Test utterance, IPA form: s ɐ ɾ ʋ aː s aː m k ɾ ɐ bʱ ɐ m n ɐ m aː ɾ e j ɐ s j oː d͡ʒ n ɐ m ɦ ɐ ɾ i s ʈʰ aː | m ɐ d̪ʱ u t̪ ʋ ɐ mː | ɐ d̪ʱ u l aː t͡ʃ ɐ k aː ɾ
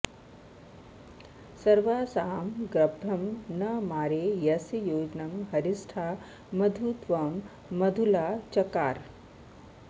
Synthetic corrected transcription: s ɐ ɾ ʋ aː s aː m ɡ ɾ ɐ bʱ ɐ m n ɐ m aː ɾ e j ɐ s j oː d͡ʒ n ɐ m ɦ ɐ ɾ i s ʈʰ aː | m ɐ d̪ʱ u t̪ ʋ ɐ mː | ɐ d̪ʱ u l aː t͡ʃ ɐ k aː ɾ